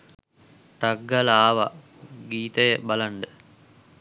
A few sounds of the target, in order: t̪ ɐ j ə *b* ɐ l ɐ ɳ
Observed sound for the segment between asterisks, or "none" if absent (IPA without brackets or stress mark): b